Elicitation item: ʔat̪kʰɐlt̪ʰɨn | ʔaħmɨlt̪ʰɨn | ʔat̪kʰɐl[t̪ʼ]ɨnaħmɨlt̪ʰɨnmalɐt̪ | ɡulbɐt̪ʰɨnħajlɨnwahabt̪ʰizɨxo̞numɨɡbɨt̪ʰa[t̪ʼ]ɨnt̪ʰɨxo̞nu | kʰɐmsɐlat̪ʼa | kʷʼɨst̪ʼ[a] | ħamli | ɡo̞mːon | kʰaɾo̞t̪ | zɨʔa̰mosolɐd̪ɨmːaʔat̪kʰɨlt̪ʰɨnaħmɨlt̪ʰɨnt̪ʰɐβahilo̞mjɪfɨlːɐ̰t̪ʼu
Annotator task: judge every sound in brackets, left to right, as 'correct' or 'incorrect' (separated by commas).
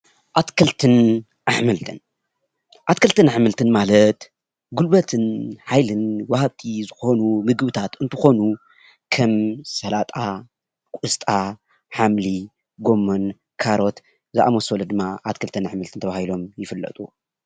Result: incorrect, incorrect, correct